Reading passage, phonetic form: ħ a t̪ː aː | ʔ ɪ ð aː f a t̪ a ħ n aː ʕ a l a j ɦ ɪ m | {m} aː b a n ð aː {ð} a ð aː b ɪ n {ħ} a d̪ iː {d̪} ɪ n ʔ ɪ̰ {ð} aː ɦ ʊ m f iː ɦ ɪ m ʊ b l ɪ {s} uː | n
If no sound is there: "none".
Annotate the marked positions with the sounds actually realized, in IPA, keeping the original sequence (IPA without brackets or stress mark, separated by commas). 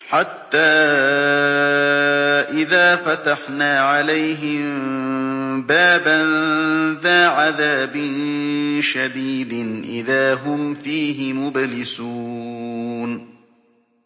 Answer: b, ʕ, ʃ, d̪, ð, s